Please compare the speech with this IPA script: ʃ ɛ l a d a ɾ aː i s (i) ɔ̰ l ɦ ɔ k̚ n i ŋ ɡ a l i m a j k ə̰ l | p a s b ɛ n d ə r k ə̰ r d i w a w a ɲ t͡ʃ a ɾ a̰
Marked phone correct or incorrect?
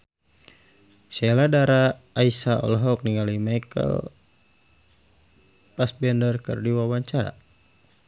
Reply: incorrect